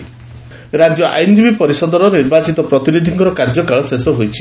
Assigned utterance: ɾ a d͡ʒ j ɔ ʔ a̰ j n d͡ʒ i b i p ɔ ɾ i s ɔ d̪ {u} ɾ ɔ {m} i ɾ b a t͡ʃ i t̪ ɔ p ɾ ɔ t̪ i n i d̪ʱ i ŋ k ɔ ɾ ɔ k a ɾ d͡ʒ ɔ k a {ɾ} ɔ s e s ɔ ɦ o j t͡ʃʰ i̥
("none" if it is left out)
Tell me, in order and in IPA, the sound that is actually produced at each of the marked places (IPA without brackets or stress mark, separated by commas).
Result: ɔ, n, ɭ